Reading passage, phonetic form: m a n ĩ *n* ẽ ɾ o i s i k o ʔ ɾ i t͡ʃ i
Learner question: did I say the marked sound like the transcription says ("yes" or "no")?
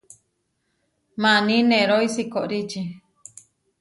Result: yes